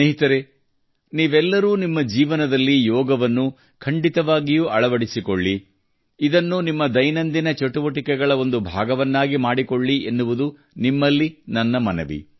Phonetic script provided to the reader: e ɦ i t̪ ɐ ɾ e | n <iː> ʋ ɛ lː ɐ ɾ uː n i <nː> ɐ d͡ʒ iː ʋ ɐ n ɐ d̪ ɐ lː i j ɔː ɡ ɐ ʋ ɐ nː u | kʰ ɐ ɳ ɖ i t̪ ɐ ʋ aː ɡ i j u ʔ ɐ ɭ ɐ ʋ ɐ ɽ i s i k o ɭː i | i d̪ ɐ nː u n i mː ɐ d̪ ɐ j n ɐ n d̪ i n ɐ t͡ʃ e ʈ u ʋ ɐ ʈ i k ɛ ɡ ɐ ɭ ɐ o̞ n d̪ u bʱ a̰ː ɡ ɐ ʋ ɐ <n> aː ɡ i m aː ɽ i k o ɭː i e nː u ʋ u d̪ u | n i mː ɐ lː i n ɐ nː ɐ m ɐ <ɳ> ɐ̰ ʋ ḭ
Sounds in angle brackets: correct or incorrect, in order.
correct, incorrect, incorrect, incorrect

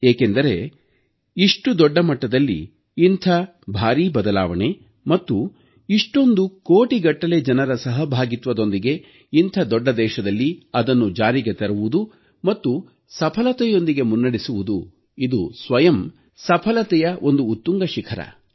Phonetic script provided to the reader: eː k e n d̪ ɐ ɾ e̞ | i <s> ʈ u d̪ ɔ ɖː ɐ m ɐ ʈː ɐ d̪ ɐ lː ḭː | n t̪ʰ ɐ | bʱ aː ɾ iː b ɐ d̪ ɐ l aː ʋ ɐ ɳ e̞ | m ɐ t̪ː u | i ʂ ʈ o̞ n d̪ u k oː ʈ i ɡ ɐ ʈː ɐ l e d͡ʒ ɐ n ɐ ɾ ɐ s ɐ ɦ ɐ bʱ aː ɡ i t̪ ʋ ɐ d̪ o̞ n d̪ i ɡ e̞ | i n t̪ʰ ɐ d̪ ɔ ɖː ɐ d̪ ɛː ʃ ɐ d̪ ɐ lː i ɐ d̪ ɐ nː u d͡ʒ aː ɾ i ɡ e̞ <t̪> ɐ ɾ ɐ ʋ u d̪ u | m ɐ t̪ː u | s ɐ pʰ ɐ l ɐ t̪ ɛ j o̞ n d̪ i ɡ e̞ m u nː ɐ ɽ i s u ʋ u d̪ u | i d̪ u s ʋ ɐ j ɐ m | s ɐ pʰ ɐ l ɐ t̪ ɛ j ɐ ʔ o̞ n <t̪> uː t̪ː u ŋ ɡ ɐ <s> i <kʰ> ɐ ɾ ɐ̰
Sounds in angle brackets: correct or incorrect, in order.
incorrect, correct, incorrect, incorrect, correct

